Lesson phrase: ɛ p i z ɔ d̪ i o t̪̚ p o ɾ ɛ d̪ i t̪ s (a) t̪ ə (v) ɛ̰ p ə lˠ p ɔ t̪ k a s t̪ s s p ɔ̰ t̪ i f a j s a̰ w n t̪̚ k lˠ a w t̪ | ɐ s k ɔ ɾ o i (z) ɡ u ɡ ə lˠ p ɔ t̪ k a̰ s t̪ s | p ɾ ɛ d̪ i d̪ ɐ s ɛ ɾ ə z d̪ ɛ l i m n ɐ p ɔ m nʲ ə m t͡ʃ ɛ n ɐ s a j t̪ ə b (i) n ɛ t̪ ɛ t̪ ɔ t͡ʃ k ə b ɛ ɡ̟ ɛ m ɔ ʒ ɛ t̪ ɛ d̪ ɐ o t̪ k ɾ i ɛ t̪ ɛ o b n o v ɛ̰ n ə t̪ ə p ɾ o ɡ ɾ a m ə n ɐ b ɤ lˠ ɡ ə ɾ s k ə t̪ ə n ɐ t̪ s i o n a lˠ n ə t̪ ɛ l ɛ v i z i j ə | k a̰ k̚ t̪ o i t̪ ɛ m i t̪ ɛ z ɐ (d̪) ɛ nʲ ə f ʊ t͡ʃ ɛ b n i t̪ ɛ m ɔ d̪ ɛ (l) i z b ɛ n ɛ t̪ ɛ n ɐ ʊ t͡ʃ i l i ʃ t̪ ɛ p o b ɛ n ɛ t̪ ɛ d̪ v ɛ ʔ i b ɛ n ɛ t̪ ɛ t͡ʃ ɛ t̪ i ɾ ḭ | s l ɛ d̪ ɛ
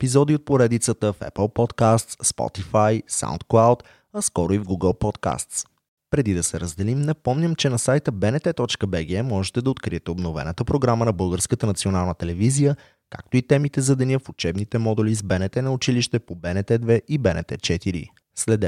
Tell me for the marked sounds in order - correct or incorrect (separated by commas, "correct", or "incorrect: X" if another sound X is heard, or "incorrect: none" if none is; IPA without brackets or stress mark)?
incorrect: ə, incorrect: f, incorrect: v, incorrect: ɛ, correct, correct